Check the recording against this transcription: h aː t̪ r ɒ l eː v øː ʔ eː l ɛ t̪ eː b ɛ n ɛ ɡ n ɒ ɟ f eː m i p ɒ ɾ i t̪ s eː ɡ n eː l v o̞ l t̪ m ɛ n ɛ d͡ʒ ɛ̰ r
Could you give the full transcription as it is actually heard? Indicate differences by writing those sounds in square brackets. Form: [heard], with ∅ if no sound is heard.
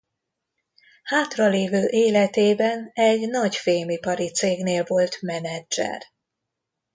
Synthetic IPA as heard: h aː t̪ r ɒ l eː v øː ʔ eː l ɛ t̪ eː b ɛ n ɛ [ɟ] n ɒ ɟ f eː m i p ɒ ɾ i t̪ s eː ɡ n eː l v o̞ l t̪ m ɛ n ɛ d͡ʒ ɛ̰ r